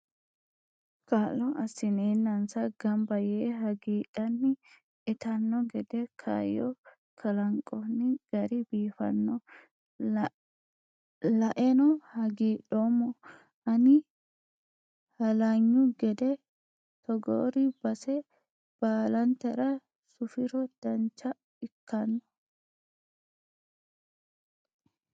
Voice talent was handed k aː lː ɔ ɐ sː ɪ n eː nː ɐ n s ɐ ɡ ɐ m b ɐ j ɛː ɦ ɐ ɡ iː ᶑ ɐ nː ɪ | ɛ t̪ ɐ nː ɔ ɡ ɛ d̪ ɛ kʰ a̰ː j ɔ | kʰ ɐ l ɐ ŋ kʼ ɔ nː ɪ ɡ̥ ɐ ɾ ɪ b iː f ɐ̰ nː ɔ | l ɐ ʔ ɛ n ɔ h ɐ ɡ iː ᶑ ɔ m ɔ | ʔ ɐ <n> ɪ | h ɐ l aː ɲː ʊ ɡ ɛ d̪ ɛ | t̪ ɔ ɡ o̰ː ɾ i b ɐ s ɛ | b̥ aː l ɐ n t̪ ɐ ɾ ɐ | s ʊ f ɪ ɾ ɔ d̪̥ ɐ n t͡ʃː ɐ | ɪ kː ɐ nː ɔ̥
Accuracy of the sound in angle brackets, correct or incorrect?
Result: correct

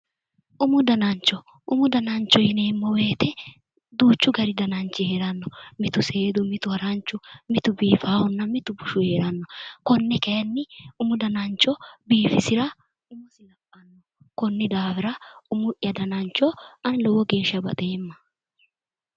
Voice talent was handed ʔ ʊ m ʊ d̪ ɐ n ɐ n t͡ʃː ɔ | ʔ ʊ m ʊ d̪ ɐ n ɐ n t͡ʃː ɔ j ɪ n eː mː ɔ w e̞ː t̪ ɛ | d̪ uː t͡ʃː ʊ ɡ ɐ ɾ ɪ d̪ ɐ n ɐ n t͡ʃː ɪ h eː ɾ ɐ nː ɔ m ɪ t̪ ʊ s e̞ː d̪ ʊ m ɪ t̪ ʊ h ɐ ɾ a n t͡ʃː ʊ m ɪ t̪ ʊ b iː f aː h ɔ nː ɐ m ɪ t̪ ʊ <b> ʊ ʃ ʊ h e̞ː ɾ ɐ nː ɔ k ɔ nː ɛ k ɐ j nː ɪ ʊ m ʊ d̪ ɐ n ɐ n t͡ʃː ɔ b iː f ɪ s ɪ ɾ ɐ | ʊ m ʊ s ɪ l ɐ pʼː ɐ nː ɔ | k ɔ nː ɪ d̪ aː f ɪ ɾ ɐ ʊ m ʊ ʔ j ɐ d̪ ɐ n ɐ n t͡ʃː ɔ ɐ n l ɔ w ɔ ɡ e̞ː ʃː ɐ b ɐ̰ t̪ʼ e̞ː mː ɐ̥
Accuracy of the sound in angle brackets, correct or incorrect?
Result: correct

